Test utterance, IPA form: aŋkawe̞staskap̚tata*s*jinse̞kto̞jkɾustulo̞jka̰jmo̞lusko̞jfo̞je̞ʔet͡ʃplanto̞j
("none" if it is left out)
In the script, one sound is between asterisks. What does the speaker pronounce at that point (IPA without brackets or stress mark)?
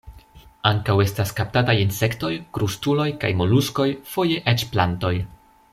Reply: none